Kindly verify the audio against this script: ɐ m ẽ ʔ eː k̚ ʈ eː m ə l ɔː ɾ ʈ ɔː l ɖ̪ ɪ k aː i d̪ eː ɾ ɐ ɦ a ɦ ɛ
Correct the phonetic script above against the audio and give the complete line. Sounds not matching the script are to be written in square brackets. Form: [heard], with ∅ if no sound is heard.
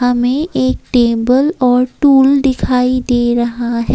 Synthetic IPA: ɐ m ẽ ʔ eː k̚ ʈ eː [b] ə l ɔː ɾ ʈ [uː] l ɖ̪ ɪ [kʰ] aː i d̪ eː ɾ ɐ ɦ a ɦ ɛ